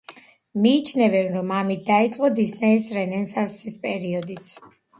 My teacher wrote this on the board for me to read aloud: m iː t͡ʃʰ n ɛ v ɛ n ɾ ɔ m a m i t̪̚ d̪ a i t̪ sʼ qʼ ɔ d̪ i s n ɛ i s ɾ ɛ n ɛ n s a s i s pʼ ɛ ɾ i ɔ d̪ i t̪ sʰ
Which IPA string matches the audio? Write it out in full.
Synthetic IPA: m iː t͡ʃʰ n ɛ v ɛ n ɾ ɔ m a m i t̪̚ d̪ a i t̪ sʼ qʼ ɔ d̪ i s n ɛ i s ɾ ɛ n ɛ n s a s i s pʼ ɛ ɾ i ɔ d̪ i t̪ sʰ